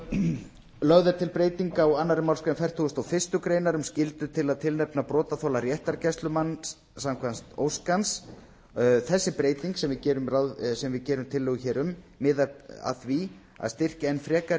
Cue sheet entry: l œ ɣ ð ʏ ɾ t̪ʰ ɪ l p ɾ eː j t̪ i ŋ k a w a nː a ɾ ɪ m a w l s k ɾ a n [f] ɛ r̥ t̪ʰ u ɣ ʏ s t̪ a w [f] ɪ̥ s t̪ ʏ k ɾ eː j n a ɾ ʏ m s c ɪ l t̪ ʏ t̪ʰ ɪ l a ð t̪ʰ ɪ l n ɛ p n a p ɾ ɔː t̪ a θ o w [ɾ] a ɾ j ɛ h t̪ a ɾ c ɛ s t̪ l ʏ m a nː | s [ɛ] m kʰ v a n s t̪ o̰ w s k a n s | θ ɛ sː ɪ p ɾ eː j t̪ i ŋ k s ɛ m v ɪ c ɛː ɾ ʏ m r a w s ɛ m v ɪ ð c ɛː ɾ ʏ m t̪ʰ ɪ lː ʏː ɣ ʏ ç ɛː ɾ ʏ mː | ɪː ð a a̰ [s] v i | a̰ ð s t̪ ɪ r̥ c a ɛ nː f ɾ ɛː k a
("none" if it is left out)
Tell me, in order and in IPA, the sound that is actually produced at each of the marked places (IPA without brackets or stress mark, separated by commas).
f, f, l, a, θ